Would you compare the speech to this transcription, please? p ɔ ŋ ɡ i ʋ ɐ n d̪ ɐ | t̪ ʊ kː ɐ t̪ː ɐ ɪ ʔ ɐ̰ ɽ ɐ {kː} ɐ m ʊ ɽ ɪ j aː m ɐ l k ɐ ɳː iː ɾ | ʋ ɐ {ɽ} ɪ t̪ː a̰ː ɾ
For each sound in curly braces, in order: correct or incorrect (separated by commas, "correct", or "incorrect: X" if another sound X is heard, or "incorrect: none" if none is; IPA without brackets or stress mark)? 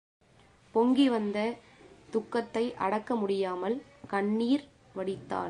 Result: correct, correct